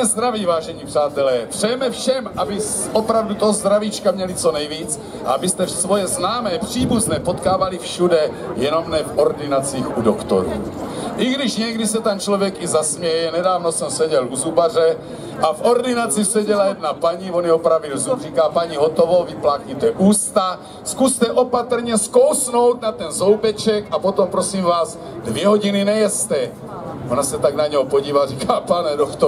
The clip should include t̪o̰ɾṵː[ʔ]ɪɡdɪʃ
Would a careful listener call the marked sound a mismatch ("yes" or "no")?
no